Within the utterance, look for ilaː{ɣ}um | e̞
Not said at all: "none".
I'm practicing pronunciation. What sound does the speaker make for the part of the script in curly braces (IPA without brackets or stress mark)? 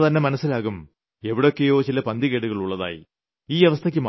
ɣ